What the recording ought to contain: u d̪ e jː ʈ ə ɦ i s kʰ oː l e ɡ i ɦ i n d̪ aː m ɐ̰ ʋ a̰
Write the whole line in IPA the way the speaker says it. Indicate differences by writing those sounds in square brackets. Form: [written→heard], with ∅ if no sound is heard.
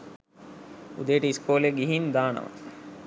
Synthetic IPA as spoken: u d̪ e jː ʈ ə [ɦ→∅] i s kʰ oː l e ɡ i ɦ i n d̪ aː [m→n] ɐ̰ ʋ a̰